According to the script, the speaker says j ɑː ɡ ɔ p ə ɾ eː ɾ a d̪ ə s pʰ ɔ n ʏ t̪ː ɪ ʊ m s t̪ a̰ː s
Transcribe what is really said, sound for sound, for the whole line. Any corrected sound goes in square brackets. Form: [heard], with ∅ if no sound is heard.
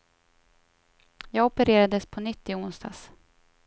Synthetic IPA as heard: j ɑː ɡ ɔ p ə ɾ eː ɾ a d̪ ə s pʰ ɔ n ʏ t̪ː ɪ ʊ [n] s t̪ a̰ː s

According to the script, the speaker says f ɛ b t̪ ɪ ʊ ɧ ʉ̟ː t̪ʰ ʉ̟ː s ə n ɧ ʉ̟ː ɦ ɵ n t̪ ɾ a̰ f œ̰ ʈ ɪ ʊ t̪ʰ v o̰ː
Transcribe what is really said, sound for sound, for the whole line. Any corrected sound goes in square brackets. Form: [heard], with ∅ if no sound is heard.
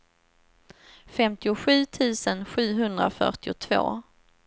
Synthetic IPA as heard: f ɛ [m] t̪ ɪ ʊ ɧ ʉ̟ː t̪ʰ ʉ̟ː s ə n ɧ ʉ̟ː ɦ ɵ n [d̪] ɾ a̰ f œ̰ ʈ ɪ ʊ t̪ʰ v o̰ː

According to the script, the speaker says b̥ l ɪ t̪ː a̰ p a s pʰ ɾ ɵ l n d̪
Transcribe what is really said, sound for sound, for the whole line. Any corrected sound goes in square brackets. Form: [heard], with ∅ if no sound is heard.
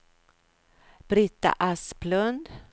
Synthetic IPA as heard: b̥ [ɾ] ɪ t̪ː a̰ [ʔ] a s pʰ [l] ɵ [∅] n d̪

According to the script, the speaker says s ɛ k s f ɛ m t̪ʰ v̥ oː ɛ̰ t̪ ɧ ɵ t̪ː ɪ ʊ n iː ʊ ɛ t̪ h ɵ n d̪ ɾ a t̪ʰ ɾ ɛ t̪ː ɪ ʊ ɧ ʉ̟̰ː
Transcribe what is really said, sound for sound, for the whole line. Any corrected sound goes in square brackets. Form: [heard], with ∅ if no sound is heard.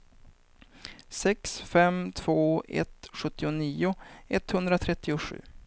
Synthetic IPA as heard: s ɛ k s f ɛ m t̪ʰ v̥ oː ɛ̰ t̪ ɧ ɵ t̪ː ɪ ʊ n iː ʊ ɛ t̪ h ɵ n d̪ ɾ a t̪ʰ ɾ ɛ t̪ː ɪ ʊ ɧ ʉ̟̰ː

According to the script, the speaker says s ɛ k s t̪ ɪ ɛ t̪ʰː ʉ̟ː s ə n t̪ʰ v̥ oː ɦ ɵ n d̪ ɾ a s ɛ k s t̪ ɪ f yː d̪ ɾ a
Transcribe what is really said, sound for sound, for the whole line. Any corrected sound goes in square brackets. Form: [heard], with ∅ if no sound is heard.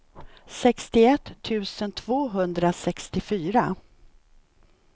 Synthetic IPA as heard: s ɛ k s t̪ ɪ ɛ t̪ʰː ʉ̟ː s ə n t̪ʰ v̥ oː ɦ ɵ n d̪ ɾ a s ɛ k s t̪ ɪ f yː [∅] ɾ a

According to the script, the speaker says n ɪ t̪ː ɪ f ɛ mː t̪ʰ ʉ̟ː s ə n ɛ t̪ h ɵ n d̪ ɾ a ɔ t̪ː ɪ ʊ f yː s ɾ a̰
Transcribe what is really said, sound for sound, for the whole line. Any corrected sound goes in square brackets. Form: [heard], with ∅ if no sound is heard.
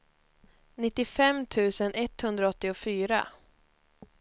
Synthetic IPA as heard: n ɪ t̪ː ɪ f ɛ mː t̪ʰ ʉ̟ː s ə n ɛ t̪ h ɵ n d̪ ɾ a ɔ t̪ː ɪ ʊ f yː [∅] ɾ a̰

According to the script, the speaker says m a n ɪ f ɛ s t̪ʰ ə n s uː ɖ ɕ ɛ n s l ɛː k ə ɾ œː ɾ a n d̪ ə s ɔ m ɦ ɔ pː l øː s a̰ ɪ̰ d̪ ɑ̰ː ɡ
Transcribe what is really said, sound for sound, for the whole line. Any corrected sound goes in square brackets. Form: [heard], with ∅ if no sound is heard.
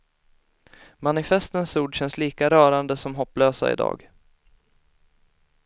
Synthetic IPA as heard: m a n ɪ f ɛ s [t̪] ə n s uː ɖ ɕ ɛ n s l [iː] k [a] ɾ œː ɾ a n d̪ ə s ɔ m ɦ ɔ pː l øː s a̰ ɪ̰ d̪ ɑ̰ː ɡ

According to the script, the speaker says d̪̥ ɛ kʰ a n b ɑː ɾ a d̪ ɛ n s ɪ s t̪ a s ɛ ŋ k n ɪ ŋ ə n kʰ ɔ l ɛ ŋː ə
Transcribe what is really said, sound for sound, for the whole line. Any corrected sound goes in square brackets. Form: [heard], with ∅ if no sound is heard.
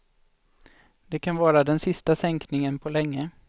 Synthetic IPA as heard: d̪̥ ɛ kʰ a n [v] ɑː ɾ a d̪ ɛ n s ɪ s t̪ a s ɛ ŋ k n ɪ ŋ ə n [pʰ] ɔ l ɛ ŋː ə

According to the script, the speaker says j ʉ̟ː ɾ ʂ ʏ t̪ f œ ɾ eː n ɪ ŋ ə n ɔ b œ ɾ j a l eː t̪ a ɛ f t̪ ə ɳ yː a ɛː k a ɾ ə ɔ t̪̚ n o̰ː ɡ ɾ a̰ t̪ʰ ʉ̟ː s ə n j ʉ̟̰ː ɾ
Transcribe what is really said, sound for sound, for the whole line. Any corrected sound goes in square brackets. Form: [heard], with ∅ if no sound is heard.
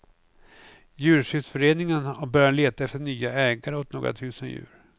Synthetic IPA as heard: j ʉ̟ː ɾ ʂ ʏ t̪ f œ ɾ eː n ɪ ŋ ə n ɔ b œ ɾ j a l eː t̪ a ɛ f t̪ ə ɳ yː a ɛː [ɡ] a ɾ ə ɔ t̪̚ n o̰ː ɡ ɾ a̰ t̪ʰ ʉ̟ː s ə n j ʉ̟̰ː ɾ

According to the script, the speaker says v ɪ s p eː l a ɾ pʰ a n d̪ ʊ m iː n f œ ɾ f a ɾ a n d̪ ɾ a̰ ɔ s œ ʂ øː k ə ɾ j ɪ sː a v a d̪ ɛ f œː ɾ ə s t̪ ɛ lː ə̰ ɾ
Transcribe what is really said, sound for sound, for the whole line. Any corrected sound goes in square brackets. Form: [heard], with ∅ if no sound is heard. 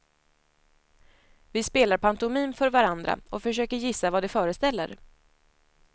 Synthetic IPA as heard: v ɪ s p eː l a ɾ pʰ a n [t̪] ʊ m iː n f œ ɾ [v] a ɾ a n d̪ ɾ a̰ ɔ [f] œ ʂ øː k ə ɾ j ɪ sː a v a d̪ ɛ f œː ɾ ə s t̪ ɛ lː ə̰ ɾ

